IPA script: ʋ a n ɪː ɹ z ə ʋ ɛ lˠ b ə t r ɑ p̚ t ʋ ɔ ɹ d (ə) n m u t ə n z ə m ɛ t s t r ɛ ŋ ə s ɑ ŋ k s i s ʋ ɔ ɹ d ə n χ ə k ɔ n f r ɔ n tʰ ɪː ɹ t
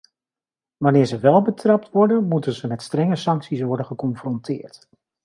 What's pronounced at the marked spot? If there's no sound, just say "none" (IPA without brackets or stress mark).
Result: ə